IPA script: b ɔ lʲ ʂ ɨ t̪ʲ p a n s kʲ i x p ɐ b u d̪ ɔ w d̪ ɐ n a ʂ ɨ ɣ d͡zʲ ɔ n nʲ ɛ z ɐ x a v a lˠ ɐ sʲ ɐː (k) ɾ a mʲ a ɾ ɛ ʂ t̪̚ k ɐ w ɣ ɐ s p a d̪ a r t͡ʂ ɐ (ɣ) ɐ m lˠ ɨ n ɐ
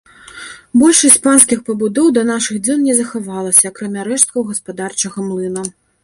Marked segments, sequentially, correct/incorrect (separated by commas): correct, correct